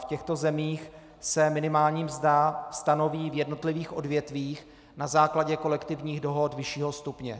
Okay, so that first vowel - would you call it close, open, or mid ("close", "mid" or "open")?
mid